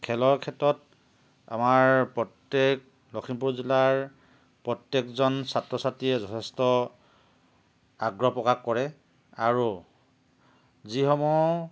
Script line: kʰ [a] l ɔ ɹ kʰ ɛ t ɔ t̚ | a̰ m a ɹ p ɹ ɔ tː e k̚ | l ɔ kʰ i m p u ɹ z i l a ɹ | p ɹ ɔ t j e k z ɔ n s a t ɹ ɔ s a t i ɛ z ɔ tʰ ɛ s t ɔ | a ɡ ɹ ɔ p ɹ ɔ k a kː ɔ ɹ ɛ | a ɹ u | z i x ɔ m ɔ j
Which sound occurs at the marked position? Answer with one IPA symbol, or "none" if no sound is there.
ɛ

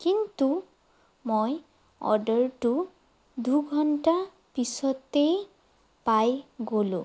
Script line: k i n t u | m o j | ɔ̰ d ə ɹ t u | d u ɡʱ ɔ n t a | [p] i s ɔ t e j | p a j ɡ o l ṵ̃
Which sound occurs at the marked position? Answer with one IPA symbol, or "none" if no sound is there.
p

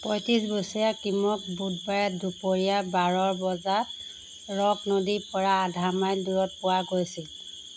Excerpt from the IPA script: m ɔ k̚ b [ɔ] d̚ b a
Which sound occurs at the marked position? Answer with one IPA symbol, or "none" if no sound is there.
u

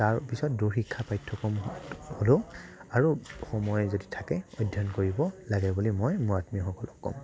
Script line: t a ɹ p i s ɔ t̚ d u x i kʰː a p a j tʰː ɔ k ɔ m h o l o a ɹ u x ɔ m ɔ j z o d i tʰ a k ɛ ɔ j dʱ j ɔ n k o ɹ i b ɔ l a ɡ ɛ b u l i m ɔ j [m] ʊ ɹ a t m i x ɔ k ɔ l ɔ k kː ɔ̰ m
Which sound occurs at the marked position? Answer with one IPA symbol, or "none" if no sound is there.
m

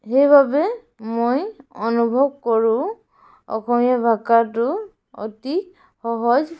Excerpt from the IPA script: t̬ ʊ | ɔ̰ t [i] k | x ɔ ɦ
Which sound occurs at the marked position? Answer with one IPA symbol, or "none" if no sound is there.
i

